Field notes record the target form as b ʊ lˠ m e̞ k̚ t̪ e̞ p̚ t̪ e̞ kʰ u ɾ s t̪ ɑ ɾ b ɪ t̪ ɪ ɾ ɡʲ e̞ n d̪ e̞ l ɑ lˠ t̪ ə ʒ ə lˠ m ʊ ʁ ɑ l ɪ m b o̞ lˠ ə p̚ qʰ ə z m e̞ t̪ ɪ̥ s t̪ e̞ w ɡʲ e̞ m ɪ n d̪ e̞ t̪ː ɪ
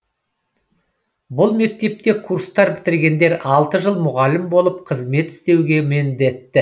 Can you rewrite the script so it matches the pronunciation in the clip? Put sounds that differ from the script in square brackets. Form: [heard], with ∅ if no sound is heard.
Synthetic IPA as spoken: b ʊ lˠ m e̞ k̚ t̪ e̞ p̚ t̪ e̞ kʰ u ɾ s t̪ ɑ ɾ b ɪ t̪ ɪ ɾ ɡʲ e̞ n d̪ e̞ [ɾ] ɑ lˠ t̪ ə ʒ ə lˠ m ʊ ʁ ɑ l ɪ m b o̞ lˠ ə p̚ qʰ ə z m e̞ t̪ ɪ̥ s t̪ e̞ w ɡʲ e̞ m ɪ n d̪ e̞ t̪ː ɪ